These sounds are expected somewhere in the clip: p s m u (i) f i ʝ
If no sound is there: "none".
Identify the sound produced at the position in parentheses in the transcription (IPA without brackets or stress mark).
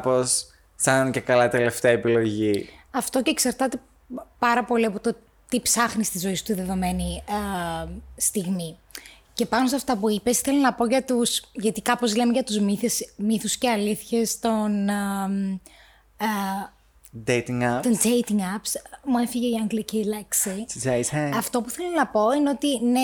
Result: e